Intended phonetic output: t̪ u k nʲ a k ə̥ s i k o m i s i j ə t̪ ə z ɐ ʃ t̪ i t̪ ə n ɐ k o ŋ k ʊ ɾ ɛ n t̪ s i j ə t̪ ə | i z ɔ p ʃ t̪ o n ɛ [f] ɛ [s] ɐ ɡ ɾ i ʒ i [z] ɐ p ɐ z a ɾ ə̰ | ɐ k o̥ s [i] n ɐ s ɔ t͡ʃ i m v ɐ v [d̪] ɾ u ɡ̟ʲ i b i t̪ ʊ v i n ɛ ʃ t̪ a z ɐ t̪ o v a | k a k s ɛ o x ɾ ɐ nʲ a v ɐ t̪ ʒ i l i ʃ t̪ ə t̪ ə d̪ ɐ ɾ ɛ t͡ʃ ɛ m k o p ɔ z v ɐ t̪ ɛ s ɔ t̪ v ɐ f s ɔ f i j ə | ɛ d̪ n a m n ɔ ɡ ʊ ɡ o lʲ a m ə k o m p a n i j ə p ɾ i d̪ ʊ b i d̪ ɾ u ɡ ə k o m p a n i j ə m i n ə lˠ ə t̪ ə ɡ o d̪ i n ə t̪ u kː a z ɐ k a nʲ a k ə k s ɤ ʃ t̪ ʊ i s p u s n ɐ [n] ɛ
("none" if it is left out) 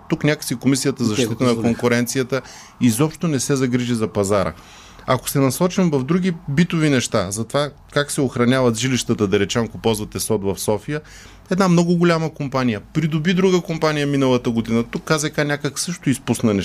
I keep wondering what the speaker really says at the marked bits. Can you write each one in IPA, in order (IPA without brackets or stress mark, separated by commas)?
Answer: s, z, z, ɛ, d̪, n